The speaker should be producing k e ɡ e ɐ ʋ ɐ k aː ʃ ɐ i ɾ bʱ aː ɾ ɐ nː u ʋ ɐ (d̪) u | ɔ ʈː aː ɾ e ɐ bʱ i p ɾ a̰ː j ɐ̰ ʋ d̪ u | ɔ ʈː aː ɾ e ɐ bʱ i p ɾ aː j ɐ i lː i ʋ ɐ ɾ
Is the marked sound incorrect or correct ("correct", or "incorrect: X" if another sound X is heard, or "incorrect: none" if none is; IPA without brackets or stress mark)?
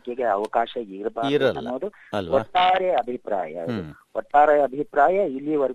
correct